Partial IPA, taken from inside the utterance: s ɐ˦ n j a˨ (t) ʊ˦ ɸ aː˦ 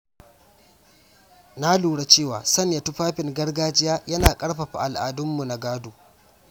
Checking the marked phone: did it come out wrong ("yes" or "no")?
no